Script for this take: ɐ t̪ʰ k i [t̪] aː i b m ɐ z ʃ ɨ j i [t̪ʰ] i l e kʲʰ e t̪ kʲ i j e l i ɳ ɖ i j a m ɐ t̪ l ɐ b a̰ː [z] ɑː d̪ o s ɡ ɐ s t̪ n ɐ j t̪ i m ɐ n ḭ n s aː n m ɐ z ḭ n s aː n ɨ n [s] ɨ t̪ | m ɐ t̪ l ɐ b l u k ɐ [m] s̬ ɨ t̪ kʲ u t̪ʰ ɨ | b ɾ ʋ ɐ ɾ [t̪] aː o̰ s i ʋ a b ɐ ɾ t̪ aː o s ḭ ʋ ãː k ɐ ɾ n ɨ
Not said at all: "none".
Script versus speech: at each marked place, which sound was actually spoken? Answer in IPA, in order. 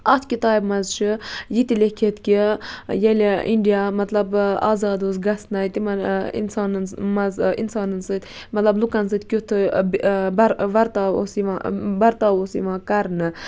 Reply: t̪, t̪, z, s, n, t̪

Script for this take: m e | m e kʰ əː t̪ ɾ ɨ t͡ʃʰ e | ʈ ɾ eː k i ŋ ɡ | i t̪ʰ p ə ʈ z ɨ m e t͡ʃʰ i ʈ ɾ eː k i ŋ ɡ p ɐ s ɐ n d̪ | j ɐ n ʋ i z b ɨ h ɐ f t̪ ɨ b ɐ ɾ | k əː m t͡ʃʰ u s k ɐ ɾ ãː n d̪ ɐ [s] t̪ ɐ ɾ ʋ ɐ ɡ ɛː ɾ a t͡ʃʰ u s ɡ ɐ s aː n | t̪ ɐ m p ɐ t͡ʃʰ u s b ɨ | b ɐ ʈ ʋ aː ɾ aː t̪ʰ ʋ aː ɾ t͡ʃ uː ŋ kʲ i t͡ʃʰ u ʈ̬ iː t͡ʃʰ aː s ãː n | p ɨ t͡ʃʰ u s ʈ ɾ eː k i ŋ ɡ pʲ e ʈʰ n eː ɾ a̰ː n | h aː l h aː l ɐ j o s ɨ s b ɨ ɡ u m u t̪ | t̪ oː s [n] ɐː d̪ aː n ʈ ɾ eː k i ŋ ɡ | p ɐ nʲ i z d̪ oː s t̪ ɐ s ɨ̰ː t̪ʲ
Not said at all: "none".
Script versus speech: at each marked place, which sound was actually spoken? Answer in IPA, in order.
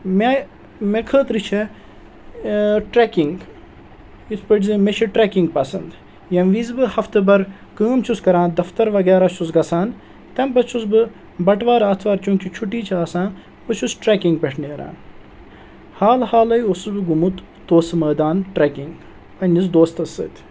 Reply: f, m

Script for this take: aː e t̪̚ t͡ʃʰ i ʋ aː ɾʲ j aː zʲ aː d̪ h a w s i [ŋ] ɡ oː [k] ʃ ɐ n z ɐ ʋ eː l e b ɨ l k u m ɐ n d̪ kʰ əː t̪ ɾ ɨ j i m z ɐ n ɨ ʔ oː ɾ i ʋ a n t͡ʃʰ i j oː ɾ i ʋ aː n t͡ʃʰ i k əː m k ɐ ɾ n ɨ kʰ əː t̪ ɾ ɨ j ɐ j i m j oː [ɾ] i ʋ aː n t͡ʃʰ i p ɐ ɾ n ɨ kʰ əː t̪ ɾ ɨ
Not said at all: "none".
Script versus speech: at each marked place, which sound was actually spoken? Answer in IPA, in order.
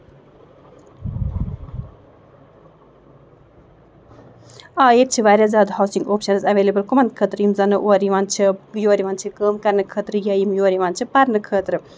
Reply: ŋ, p, ɾ

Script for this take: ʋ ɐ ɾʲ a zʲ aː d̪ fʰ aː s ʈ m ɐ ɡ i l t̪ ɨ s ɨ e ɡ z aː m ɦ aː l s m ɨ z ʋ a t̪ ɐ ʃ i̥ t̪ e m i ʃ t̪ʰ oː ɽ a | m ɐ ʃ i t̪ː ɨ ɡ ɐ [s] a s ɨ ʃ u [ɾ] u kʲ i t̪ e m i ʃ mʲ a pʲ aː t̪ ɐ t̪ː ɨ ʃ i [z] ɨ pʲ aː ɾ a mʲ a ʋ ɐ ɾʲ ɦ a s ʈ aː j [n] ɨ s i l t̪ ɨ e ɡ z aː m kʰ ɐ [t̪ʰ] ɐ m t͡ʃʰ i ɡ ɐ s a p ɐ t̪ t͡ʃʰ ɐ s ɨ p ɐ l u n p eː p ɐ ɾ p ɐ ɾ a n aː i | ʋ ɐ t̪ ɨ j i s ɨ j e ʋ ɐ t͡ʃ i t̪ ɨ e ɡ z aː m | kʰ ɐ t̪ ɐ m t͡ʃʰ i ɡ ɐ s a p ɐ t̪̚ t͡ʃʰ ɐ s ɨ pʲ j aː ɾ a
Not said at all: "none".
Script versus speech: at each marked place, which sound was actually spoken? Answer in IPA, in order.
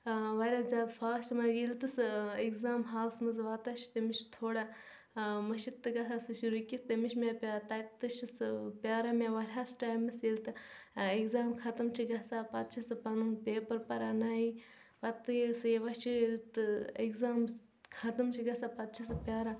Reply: s, ɾ, s, m, t̪

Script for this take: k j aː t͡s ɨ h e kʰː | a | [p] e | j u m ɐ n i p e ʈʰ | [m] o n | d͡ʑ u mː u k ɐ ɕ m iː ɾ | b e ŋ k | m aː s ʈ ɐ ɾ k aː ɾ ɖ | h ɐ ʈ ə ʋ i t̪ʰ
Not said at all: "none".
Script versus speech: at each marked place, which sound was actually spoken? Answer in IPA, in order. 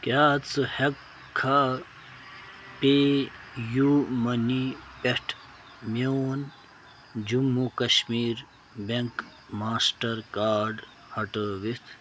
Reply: p, m

